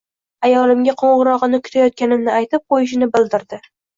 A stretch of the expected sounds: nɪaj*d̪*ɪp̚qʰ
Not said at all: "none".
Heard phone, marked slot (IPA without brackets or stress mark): t̪